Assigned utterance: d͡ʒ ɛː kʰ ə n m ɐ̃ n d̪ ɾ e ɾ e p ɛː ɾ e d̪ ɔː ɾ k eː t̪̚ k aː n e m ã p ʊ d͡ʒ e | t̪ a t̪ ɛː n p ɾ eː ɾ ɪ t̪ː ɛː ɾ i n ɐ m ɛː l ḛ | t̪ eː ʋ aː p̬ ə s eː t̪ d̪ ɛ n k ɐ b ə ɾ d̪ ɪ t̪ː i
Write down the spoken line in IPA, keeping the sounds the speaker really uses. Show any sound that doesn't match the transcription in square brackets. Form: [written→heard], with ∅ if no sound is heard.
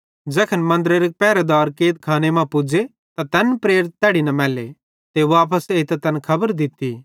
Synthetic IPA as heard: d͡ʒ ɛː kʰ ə n m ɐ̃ n d̪ ɾ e ɾ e p ɛː ɾ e d̪ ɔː ɾ k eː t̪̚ [k→kʰ] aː n e m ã p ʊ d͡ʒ e | t̪ a t̪ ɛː n p ɾ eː ɾ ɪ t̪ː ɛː [ɾ→ɽ] i n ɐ m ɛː l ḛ | t̪ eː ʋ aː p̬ ə s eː t̪ [d̪→t̪] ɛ n [k→kʰ] ɐ b ə ɾ d̪ ɪ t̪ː i